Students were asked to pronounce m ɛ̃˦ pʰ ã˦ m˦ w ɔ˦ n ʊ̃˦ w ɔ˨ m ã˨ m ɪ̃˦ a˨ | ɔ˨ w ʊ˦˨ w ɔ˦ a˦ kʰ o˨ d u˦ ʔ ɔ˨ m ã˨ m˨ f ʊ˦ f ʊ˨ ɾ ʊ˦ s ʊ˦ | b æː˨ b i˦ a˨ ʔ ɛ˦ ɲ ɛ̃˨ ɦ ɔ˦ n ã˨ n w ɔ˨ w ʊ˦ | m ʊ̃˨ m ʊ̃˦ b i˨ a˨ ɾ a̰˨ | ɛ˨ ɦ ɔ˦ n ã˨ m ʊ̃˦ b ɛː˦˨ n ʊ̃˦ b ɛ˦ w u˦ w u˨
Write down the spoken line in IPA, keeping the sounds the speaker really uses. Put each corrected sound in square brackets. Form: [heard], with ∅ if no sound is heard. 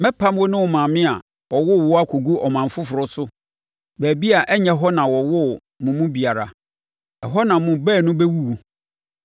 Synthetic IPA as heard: m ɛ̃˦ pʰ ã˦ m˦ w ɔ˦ n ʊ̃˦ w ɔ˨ m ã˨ m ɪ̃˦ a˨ | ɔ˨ w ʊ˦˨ w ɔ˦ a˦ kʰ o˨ [ɡ] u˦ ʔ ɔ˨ m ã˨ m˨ f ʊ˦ f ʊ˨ ɾ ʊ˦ s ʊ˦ | b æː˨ b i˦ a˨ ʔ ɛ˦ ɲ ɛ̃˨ ɦ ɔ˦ n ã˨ [∅] w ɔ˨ w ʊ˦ | m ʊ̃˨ m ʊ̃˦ b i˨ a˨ ɾ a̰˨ | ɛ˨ ɦ ɔ˦ n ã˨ m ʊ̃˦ b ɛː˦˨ n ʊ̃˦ b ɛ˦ w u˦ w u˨